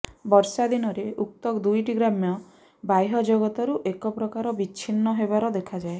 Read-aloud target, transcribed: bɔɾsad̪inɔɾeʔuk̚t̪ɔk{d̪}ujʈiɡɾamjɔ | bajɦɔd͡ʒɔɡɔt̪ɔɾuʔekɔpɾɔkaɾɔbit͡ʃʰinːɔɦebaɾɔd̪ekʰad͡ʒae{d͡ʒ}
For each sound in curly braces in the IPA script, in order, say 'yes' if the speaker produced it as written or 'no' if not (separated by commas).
yes, no